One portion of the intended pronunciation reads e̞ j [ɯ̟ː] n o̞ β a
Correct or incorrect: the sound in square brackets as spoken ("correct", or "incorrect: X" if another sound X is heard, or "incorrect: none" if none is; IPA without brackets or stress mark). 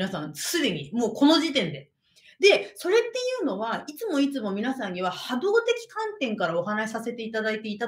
correct